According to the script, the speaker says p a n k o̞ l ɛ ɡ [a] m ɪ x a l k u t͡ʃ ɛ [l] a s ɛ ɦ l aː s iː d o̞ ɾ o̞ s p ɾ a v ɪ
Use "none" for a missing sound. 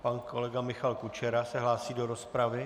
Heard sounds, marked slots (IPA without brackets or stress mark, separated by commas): a, ɾ